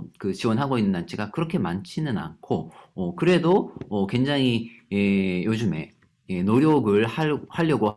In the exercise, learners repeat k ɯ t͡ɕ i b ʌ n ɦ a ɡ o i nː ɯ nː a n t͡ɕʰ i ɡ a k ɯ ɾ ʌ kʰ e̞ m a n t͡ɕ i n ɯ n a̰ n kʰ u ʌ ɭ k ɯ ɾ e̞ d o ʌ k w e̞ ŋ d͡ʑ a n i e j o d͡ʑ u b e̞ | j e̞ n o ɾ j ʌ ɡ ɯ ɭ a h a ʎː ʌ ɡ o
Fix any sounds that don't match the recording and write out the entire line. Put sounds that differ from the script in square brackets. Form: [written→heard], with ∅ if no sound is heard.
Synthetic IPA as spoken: k ɯ t͡ɕ i [b→w] ʌ n ɦ a ɡ o i nː ɯ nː a n t͡ɕʰ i ɡ a k ɯ ɾ ʌ kʰ e̞ m a n [t͡ɕ→t͡ɕʰ] i n ɯ n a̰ n kʰ [u→o] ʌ [ɭ→∅] k ɯ ɾ e̞ d o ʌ k w e̞ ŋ d͡ʑ a [n→ŋ] i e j o d͡ʑ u [b→m] e̞ | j e̞ n o ɾ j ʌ ɡ ɯ ɭ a h a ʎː ʌ ɡ o